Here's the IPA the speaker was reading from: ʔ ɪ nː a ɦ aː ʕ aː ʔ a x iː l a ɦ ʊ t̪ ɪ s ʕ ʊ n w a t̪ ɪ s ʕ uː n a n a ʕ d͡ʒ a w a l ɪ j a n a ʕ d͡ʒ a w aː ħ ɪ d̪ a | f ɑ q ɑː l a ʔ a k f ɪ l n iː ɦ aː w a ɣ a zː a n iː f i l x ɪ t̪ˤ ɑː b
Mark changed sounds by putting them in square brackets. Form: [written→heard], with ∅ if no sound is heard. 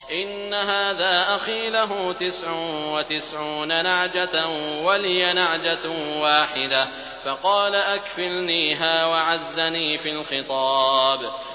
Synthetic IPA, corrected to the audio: ʔ ɪ nː a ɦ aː [ʕ→ð] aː ʔ a x iː l a ɦ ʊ t̪ ɪ s ʕ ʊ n w a t̪ ɪ s ʕ uː n a n a ʕ d͡ʒ a w a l ɪ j a n a ʕ d͡ʒ a w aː ħ ɪ d̪ a | f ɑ q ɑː l a ʔ a k f ɪ l n iː ɦ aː w a [ɣ→ʕ] a zː a n iː f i l x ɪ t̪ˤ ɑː b

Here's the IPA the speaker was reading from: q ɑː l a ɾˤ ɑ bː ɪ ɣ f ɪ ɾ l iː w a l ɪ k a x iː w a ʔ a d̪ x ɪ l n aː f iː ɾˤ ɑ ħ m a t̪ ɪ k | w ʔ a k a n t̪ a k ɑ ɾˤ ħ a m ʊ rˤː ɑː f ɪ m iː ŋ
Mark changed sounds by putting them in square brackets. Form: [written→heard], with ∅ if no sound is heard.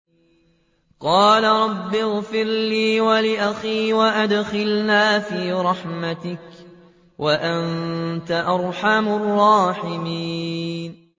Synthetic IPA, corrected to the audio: q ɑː l a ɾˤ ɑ bː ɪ ɣ f ɪ ɾ l iː w a l ɪ [k→ʔ] a x iː w a ʔ a d̪ x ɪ l n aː f iː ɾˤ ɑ ħ m a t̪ ɪ k | w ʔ a [k→ʔ] a n t̪ a [k→ʔ] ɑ ɾˤ ħ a m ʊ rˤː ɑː [f→ħ] ɪ m iː [ŋ→n]

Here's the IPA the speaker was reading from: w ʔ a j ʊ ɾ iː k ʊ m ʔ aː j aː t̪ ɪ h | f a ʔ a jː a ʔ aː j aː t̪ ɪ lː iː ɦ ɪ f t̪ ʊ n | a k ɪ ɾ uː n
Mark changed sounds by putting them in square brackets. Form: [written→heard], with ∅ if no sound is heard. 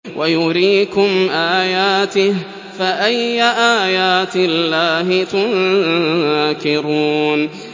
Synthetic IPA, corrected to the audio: w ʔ a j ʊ ɾ iː k ʊ m ʔ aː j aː t̪ ɪ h | f a ʔ a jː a ʔ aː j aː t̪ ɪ lː [iː→aː] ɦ ɪ [f→∅] t̪ ʊ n | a k ɪ ɾ uː n

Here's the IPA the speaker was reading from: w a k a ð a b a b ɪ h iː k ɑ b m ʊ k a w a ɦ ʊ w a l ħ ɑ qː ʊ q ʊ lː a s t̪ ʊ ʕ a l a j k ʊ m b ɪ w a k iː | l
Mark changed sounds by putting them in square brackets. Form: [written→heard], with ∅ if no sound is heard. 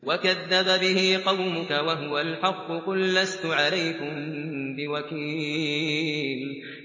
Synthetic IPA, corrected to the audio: w a k a [ð→ðː] a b a b ɪ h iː [k→q] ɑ [b→w] m ʊ k a w a ɦ ʊ w a l ħ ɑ qː ʊ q ʊ lː a s t̪ ʊ ʕ a l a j k ʊ m b ɪ w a k iː | l

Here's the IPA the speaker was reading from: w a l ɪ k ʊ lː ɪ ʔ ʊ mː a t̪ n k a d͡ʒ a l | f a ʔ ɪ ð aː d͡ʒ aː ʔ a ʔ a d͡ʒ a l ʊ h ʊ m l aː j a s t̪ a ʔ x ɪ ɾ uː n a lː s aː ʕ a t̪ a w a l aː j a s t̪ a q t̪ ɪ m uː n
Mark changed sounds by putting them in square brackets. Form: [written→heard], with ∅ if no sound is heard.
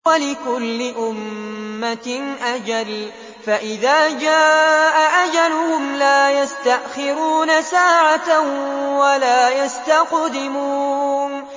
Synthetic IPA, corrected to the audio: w a l ɪ k ʊ lː ɪ ʔ ʊ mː a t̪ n [k→ʔ] a d͡ʒ a l | f a ʔ ɪ ð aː d͡ʒ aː ʔ a ʔ a d͡ʒ a l ʊ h ʊ m l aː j a s t̪ a ʔ x ɪ ɾ uː n a [lː→∅] s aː ʕ a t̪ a w a l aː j a s t̪ a q [t̪→d̪] ɪ m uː n

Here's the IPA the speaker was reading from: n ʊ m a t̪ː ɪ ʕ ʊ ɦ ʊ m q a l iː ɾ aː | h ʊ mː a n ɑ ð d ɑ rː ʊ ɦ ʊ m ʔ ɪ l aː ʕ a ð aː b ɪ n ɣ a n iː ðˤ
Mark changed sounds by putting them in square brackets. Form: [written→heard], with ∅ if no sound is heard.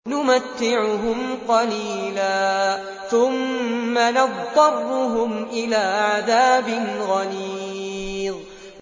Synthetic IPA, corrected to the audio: n ʊ m a t̪ː ɪ ʕ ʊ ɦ ʊ m q [a→ɑ] l iː [ɾ→l] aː | [h→θ] ʊ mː a n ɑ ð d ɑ rː ʊ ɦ ʊ m ʔ ɪ l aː ʕ a ð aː b ɪ n ɣ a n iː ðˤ

